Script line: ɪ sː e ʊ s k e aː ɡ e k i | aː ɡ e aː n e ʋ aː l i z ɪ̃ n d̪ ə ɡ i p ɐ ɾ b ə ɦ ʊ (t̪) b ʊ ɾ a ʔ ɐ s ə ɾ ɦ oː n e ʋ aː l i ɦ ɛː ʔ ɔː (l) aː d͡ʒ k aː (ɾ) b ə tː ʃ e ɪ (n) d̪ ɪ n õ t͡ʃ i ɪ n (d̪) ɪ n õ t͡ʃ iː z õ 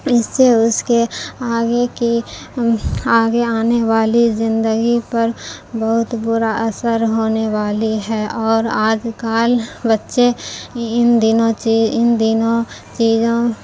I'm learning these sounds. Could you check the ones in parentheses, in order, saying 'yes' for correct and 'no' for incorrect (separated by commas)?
yes, no, no, yes, yes